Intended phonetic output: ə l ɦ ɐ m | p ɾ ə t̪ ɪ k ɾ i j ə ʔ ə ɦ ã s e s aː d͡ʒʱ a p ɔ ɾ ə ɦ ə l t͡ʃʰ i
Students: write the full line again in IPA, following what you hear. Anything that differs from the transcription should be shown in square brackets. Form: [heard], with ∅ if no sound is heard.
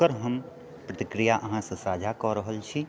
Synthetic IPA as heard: ə [ɾ] ɦ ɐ m | p ɾ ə t̪ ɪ k ɾ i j [a] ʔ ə ɦ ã s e s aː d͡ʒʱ a [k] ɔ ɾ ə ɦ ə l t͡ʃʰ i